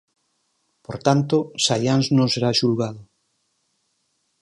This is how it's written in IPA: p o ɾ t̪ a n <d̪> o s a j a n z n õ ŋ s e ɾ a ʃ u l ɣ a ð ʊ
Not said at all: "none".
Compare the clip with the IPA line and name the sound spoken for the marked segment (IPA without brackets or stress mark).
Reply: t̪